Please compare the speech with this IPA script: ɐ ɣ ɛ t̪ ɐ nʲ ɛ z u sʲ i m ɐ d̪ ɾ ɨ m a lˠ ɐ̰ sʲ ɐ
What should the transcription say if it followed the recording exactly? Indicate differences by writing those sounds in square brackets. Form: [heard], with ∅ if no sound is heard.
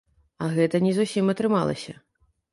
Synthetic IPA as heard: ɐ ɣ ɛ t̪ ɐ nʲ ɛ z u sʲ i m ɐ [t̪] ɾ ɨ m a lˠ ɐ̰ sʲ ɐ